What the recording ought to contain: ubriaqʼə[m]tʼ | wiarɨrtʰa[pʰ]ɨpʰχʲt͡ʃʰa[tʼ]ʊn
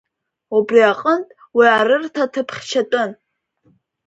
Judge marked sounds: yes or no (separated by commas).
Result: no, no, yes